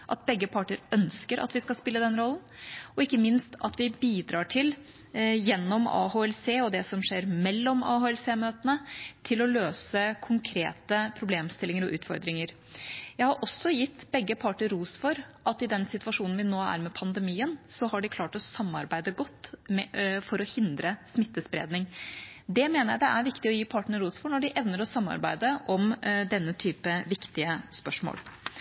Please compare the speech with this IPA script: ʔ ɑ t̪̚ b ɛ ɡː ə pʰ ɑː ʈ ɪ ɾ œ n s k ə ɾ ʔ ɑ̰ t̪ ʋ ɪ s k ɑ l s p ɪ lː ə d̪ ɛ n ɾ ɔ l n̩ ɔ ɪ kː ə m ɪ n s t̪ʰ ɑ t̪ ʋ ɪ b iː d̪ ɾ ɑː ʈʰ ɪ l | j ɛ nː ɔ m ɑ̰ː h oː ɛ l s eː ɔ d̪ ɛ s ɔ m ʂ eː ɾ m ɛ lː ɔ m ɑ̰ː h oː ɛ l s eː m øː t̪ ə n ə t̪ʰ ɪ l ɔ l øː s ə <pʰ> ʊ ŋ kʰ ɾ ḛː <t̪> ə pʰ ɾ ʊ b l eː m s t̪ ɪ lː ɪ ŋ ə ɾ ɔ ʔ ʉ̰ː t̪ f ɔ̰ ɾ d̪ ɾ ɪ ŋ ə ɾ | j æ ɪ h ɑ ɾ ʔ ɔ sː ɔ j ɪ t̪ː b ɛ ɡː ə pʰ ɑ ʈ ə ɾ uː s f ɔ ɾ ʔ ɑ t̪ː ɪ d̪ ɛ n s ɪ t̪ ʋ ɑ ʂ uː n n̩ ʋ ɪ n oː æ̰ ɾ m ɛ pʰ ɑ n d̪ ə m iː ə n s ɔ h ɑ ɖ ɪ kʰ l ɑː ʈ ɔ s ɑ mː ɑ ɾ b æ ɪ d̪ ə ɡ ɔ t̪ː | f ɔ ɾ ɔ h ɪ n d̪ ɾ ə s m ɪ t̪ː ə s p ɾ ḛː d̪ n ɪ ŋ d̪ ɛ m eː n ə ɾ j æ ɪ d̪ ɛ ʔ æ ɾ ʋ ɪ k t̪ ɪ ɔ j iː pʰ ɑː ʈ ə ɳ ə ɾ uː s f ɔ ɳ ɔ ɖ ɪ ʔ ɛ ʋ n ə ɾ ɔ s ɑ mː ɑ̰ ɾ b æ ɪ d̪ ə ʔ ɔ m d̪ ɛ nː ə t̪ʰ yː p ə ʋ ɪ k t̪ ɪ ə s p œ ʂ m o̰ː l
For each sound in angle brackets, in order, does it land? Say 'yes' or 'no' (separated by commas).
no, yes